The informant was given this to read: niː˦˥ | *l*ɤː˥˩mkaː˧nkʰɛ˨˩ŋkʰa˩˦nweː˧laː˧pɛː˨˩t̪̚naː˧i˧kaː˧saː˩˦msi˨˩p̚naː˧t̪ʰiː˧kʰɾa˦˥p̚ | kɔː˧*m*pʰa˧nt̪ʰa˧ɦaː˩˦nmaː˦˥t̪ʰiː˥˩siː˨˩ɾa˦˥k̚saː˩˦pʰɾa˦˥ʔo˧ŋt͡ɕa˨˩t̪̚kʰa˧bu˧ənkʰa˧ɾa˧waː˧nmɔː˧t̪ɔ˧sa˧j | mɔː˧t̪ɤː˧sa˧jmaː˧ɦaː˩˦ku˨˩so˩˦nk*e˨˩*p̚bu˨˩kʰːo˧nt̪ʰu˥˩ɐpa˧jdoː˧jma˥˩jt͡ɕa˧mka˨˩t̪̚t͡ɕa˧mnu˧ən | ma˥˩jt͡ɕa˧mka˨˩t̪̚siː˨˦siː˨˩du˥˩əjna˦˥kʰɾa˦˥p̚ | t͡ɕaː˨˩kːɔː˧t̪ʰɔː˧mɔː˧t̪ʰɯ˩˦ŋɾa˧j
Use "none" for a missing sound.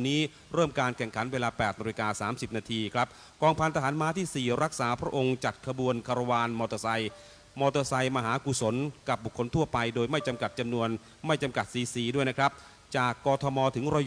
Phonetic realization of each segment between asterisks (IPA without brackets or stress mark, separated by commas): ɾ, ŋ, a˨˩